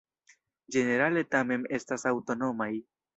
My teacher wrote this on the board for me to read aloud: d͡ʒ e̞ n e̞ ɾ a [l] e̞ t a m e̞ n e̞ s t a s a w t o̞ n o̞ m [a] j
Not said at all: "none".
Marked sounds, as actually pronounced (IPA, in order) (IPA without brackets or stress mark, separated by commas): l, a